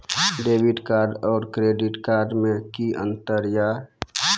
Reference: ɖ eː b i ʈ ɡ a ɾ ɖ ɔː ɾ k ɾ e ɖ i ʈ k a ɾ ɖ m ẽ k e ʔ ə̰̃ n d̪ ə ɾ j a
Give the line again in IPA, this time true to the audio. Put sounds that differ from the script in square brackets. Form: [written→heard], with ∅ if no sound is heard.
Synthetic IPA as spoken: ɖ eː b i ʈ [ɡ→k] a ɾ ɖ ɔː ɾ k ɾ e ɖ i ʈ k a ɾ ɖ m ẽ k [e→i] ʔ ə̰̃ n [d̪→t̪] ə ɾ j a